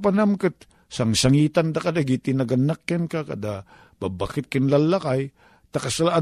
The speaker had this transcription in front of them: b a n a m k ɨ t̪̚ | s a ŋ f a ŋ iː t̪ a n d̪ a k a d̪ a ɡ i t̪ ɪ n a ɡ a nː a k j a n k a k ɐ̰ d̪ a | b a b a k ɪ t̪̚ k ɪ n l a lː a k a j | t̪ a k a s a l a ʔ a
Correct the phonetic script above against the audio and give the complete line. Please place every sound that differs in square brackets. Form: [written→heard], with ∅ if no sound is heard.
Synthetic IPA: [b→p] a n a m k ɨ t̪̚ | s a ŋ [f→s] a ŋ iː t̪ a n d̪ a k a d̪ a ɡ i t̪ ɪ n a ɡ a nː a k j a n k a k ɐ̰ d̪ a | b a b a k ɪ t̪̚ k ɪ n l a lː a k a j | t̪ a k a s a l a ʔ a